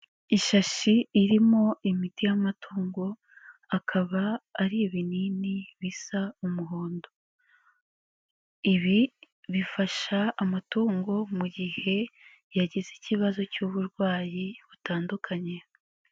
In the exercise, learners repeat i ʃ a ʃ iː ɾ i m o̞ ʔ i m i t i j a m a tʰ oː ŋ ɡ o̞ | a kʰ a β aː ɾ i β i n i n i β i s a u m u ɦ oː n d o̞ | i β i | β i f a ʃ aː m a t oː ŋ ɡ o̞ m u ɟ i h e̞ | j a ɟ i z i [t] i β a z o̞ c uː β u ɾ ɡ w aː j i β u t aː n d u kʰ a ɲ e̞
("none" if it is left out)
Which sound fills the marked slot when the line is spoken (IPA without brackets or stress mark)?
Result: c